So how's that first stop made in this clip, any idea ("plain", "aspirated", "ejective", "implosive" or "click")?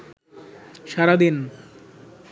plain